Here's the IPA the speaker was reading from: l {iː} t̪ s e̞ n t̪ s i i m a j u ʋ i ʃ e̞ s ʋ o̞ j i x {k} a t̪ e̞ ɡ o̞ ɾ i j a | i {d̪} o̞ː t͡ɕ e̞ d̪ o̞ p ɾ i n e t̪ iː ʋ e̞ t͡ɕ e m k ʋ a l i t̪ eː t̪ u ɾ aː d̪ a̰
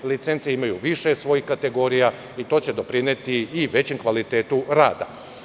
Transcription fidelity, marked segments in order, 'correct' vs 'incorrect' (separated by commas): incorrect, correct, incorrect